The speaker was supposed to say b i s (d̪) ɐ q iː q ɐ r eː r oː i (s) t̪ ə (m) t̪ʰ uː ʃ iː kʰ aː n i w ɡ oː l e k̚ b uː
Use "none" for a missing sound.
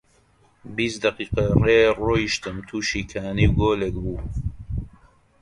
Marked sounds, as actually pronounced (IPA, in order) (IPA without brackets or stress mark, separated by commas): d̪, ʃ, m